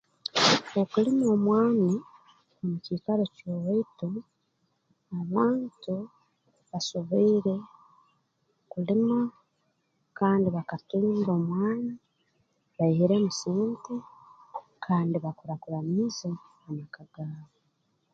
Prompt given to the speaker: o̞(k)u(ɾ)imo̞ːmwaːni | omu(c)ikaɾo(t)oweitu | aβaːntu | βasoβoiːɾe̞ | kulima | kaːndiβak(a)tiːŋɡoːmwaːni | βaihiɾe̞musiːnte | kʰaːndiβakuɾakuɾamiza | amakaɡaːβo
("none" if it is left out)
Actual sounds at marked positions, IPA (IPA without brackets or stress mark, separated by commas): k, l, c, c, a